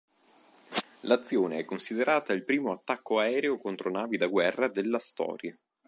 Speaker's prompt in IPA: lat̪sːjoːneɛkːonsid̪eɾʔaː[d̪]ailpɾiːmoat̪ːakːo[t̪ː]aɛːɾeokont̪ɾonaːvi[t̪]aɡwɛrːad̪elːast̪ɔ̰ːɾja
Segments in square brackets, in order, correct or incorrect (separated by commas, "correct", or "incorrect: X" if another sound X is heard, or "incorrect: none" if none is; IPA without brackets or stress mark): incorrect: t̪, incorrect: none, incorrect: d̪